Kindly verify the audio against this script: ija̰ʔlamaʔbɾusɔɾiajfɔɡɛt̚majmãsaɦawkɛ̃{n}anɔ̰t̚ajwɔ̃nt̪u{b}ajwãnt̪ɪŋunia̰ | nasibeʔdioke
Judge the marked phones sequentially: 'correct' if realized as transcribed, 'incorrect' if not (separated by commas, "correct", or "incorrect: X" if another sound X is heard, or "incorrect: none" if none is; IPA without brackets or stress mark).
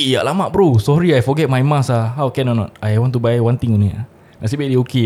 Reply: correct, correct